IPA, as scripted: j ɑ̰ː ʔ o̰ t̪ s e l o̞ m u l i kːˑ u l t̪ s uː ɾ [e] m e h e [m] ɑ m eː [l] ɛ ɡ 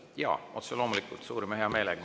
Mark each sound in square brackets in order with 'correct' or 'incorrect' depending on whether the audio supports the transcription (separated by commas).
incorrect, incorrect, correct